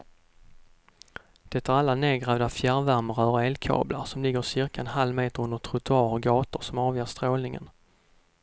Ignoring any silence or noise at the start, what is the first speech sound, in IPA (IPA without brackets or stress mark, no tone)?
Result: d̪̥